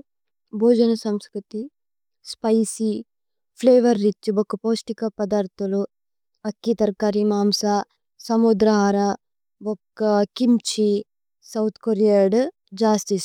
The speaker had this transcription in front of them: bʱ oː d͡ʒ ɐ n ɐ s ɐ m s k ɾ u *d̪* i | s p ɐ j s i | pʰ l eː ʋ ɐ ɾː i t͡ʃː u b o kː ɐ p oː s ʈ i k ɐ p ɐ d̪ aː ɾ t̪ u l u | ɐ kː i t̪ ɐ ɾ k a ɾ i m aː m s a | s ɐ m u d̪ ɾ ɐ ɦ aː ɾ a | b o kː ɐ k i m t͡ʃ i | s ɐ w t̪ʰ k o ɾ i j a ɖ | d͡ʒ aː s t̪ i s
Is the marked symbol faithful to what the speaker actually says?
no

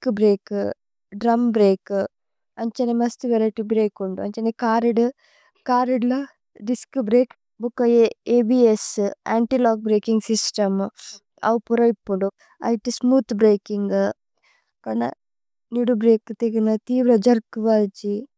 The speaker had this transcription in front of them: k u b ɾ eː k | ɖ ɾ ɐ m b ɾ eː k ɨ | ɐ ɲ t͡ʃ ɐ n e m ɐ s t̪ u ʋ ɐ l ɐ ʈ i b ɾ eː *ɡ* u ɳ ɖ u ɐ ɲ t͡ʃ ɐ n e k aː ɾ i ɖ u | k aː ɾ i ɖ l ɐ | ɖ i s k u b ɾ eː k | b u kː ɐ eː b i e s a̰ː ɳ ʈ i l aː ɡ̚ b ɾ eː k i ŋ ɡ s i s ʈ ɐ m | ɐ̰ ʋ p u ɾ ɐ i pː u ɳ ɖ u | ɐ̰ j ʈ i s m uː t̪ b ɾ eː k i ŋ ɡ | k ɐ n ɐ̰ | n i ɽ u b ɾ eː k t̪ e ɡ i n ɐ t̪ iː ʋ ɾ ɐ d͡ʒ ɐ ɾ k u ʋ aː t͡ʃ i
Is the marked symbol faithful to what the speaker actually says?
no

